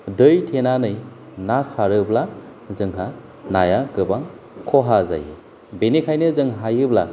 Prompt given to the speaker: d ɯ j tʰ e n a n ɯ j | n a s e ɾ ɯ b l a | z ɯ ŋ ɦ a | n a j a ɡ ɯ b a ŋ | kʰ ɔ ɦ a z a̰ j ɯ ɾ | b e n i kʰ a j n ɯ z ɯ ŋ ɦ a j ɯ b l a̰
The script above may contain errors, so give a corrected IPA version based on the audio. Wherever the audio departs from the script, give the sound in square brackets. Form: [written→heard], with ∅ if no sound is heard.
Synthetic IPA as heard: d ɯ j tʰ e n a n ɯ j | n a s [e→a] ɾ ɯ b l a | z ɯ ŋ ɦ a | n a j a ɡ ɯ b a ŋ | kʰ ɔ ɦ a z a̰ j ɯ [ɾ→∅] | b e n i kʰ a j n ɯ z ɯ ŋ ɦ a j ɯ b l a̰